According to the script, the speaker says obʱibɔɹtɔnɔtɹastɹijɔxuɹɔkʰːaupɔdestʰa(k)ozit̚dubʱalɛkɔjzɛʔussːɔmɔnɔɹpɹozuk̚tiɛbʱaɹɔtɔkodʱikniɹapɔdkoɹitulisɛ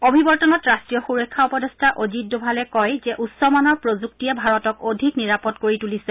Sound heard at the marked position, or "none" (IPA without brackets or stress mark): ʔ